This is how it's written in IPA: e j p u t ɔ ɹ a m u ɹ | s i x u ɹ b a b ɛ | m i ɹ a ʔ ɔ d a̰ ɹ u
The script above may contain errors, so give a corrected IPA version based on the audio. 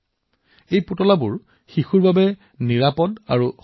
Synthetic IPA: e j p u t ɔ l a b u ɹ | x i x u ɹ b a b ɛ | n i ɹ a p ɔ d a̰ ɹ u